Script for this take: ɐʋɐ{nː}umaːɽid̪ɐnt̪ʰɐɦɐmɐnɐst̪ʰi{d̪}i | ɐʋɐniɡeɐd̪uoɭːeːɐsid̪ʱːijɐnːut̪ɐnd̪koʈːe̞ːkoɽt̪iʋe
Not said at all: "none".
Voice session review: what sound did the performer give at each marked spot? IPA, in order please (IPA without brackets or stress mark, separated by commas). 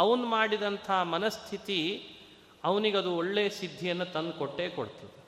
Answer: n, t̪